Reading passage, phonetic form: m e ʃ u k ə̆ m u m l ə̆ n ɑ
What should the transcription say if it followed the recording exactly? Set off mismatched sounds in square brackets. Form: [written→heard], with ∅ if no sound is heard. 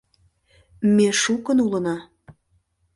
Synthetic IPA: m e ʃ u k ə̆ [m→n] u [m→∅] l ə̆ n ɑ